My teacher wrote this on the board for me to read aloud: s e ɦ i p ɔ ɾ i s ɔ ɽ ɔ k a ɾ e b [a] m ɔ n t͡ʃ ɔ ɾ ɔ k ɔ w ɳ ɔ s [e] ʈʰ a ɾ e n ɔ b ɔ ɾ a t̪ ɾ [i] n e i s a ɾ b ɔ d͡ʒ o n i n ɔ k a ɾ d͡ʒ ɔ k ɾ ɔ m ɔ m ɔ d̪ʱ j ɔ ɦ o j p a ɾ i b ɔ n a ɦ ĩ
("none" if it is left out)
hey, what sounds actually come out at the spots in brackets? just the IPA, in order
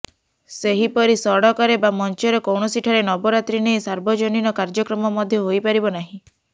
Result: a, i, i

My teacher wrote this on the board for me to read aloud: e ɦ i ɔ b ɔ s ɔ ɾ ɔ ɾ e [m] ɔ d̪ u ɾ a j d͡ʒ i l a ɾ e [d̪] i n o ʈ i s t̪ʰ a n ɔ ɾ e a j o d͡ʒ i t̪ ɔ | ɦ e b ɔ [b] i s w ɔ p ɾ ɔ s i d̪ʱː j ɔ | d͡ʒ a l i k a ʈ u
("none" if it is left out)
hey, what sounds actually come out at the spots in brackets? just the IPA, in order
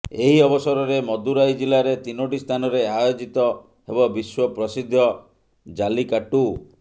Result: m, t̪, b

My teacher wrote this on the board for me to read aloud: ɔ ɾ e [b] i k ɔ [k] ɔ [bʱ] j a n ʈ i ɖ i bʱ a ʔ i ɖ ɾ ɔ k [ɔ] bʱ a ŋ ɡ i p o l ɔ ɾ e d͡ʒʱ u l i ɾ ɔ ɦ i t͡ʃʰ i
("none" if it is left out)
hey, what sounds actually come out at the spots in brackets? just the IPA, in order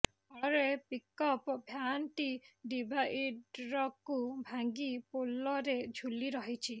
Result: p, p, bʱ, u

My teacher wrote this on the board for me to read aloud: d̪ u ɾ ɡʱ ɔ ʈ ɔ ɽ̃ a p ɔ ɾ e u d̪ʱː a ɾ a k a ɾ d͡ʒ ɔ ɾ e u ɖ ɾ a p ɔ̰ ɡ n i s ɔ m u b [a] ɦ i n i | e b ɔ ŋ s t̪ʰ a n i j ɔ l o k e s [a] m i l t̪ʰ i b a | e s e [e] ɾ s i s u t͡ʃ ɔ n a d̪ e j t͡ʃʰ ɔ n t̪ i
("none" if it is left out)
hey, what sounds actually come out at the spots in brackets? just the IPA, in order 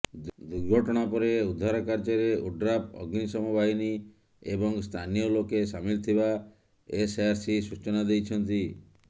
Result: a, a, a

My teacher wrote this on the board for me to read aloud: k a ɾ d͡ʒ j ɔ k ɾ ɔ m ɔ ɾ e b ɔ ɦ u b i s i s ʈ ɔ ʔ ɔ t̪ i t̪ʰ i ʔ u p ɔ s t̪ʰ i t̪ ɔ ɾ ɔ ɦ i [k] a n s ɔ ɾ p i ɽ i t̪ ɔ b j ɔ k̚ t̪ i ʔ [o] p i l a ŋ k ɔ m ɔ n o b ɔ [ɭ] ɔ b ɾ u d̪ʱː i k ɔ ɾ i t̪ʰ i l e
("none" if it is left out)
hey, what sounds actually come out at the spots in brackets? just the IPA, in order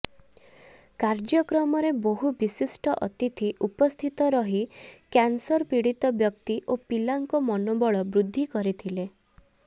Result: k, o, ɭ

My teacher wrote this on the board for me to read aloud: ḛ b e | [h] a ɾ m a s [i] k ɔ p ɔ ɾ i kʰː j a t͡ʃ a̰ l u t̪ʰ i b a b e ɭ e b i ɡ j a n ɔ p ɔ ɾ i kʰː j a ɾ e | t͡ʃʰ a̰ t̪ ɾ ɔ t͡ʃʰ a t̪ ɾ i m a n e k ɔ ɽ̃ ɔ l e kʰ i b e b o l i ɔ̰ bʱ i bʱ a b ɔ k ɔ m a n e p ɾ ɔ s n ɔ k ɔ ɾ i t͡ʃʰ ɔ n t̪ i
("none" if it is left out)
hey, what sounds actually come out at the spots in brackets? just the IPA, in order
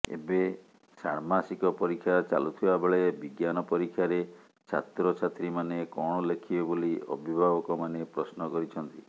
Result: s, i

